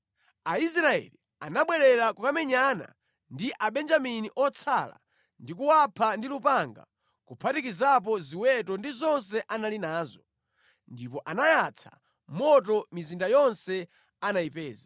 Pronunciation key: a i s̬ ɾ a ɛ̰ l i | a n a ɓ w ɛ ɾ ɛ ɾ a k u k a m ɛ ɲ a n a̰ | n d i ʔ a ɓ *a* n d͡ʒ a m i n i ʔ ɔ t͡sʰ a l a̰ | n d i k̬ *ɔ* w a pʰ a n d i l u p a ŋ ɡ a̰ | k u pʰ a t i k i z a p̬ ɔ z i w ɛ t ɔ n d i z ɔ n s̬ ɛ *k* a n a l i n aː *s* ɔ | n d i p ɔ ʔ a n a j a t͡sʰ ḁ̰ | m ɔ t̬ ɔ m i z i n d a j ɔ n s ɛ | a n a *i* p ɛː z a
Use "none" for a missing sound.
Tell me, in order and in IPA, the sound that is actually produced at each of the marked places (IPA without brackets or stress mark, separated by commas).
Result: ɛ, u, ʔ, z, i